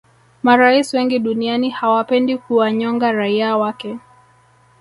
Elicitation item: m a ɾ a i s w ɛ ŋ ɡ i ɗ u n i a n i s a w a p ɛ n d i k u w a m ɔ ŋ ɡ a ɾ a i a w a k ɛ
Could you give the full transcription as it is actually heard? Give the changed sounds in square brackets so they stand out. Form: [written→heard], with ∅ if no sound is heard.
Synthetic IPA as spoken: m a ɾ a i s w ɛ ŋ ɡ i ɗ u n i a n i [s→h] a w a p ɛ n d i k u w a [m→ɲ] ɔ ŋ ɡ a ɾ a i a w a k ɛ